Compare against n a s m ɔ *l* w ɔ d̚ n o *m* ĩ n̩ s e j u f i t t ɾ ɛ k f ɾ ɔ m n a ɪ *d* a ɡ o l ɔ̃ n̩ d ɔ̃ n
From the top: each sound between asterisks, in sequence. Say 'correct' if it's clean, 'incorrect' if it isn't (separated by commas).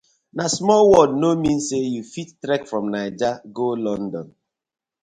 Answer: correct, correct, incorrect